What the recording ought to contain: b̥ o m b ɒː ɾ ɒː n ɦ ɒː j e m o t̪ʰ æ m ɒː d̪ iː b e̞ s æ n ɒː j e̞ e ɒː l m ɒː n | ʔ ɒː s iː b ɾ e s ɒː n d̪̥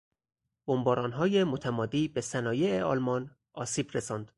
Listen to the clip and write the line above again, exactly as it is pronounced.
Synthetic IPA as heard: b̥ o m b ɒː ɾ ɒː n ɦ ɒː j e m o t̪ʰ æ m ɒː d̪ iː b e̞ s æ n ɒː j e̞ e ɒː l m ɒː n | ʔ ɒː s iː b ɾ e s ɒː n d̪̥